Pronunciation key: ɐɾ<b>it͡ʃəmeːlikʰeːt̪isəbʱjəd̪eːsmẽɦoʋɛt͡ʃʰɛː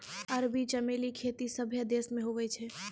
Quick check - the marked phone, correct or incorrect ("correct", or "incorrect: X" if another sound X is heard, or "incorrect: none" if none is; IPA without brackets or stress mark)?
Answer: correct